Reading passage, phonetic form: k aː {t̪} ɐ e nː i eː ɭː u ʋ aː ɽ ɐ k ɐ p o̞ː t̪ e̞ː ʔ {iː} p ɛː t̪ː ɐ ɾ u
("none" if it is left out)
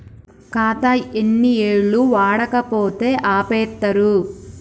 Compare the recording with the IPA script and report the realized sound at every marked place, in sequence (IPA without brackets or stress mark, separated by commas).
t̪, aː